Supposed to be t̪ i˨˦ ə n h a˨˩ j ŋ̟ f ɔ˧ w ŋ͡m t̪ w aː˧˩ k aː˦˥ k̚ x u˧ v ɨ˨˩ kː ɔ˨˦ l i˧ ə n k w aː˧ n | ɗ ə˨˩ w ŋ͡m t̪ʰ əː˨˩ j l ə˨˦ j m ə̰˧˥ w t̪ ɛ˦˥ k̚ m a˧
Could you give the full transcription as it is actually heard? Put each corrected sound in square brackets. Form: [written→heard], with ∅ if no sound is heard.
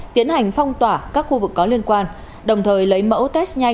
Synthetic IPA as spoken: t̪ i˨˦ ə n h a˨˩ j ŋ̟ f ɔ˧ w ŋ͡m t̪ w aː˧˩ k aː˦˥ k̚ x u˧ v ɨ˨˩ kː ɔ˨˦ l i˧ ə n k w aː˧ n | ɗ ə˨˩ w ŋ͡m t̪ʰ əː˨˩ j l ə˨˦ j m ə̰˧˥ w t̪ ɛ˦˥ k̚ [m→ɲ] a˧